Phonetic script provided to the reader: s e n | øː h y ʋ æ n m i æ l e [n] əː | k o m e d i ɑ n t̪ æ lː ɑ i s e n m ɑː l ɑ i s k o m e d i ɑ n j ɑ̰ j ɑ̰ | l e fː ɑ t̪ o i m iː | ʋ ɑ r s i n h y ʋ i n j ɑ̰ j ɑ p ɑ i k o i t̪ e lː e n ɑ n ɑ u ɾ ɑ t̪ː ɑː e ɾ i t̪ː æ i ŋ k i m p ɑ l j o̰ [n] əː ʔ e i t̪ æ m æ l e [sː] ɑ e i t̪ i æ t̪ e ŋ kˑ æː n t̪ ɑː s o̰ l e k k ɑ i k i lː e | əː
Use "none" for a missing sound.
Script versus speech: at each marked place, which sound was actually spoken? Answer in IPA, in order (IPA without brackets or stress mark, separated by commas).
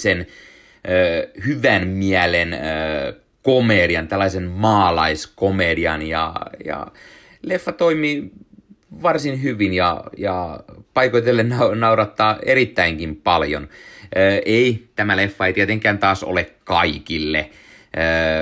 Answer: n, n, fː